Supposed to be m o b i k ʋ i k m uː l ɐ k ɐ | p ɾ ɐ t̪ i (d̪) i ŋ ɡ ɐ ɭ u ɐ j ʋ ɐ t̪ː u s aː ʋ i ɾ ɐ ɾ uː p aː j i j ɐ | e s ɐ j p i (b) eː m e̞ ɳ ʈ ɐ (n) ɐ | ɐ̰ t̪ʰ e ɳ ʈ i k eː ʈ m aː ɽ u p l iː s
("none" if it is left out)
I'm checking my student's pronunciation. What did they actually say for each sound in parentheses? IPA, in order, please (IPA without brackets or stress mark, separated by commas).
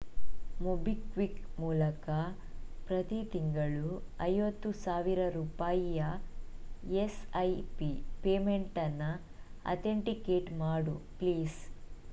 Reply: t̪, p, nː